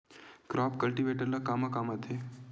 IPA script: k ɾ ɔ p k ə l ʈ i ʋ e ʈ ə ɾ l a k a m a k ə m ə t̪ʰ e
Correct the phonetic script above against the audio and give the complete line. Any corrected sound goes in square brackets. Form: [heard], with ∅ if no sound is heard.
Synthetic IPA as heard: k ɾ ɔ p k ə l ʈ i ʋ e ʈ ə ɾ l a k a m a k [a] m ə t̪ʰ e